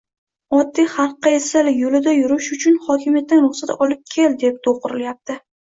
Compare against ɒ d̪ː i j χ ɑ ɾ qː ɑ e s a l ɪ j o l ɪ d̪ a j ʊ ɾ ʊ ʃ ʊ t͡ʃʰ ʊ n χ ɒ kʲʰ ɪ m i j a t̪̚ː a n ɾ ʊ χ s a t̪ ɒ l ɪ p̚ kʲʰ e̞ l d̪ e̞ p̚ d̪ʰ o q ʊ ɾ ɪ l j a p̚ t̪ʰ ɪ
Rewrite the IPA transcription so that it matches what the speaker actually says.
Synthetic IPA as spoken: ɒ d̪ː i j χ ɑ ɾ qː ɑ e s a l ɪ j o l ɪ d̪ a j ʊ ɾ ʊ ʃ ʊ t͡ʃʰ ʊ n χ ɒ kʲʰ ɪ m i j a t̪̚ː a n ɾ ʊ χ s a t̪ ɒ l ɪ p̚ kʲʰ e̞ l d̪ e̞ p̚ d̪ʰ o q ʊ ɾ ɪ l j a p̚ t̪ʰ ɪ